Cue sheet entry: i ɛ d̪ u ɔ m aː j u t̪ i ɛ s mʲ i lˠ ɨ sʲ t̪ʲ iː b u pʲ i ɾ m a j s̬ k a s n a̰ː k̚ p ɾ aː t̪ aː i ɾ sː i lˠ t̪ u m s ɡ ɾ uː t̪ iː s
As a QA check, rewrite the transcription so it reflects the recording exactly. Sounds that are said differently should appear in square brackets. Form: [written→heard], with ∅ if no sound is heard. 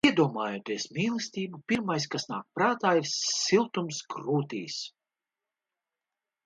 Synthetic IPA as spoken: i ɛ d̪ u ɔ m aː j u t̪ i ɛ s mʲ [i→iː] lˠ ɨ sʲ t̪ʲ iː b u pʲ i ɾ m a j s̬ k a s n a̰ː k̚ p ɾ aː t̪ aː i ɾ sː i lˠ t̪ u m s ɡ ɾ uː t̪ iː s